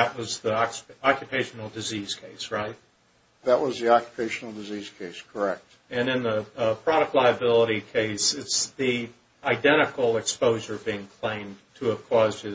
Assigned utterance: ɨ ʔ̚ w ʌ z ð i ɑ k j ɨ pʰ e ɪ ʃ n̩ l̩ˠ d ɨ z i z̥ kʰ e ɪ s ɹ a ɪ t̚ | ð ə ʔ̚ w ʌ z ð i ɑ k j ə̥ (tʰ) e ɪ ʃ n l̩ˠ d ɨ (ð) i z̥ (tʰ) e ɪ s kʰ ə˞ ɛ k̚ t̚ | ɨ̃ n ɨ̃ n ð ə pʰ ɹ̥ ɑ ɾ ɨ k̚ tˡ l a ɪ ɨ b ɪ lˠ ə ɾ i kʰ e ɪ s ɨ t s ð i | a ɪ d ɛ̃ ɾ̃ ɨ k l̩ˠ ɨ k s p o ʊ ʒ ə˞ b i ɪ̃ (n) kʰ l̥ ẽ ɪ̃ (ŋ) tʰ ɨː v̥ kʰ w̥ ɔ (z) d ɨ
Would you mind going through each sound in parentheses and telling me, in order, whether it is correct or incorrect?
incorrect: pʰ, incorrect: z, incorrect: kʰ, incorrect: ŋ, incorrect: m, correct

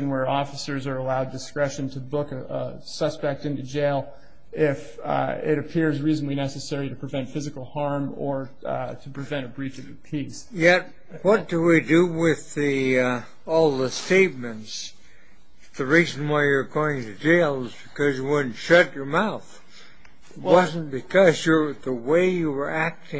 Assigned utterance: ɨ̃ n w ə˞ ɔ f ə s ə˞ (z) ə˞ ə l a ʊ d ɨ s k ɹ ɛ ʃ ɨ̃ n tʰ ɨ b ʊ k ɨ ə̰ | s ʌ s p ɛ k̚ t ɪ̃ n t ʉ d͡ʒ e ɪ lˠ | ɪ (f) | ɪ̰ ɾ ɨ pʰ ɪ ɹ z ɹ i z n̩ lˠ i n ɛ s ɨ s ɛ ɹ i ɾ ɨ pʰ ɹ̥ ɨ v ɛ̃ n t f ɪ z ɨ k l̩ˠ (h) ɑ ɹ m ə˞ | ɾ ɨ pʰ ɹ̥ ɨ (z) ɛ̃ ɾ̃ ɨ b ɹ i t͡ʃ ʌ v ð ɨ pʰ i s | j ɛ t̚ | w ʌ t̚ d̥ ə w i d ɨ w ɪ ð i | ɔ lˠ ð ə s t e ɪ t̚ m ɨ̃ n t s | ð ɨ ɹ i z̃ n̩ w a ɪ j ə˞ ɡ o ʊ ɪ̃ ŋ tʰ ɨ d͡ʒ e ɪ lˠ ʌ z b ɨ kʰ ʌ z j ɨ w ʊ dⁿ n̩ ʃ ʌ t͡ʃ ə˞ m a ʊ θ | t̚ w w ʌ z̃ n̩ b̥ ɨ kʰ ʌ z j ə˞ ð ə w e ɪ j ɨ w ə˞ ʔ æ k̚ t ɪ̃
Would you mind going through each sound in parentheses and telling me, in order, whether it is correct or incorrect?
correct, correct, correct, incorrect: v

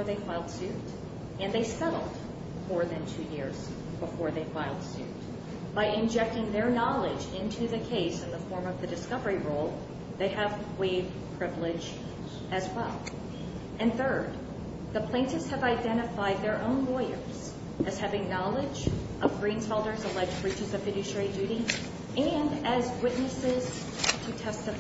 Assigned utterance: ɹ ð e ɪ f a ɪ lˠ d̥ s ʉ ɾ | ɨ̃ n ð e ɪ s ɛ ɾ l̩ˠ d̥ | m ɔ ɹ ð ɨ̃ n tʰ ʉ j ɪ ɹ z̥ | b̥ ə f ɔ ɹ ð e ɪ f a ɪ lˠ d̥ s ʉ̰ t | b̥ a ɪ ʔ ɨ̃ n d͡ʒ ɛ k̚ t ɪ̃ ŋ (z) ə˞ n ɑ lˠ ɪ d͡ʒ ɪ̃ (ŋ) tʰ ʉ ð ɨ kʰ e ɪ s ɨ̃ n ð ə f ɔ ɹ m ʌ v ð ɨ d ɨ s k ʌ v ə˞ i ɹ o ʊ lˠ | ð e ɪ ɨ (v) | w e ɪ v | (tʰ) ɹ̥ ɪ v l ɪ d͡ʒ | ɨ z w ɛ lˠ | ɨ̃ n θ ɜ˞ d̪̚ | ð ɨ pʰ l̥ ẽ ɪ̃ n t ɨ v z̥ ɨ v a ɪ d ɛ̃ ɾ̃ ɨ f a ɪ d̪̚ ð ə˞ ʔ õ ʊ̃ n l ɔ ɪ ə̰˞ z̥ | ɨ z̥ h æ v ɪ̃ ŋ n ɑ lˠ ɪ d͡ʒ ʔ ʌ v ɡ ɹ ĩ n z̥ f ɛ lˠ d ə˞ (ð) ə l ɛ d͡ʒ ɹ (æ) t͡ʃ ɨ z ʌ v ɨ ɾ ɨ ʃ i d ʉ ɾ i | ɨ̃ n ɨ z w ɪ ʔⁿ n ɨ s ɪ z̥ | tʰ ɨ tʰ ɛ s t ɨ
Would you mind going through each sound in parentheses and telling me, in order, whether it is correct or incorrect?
incorrect: ð, incorrect: n, correct, incorrect: pʰ, incorrect: z, incorrect: i

